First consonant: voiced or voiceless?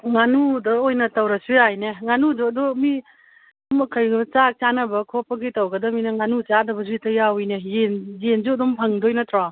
voiced